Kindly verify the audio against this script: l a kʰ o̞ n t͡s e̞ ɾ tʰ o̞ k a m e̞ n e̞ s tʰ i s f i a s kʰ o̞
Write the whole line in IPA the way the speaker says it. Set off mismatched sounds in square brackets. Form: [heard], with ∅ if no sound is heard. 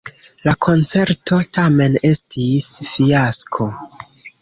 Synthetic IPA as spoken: l a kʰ o̞ n t͡s e̞ ɾ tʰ o̞ [t] a m e̞ n e̞ s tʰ i s f i a s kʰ o̞